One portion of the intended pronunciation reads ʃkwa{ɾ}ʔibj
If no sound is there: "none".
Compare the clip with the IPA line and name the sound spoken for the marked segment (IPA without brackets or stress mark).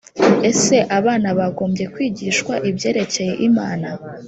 none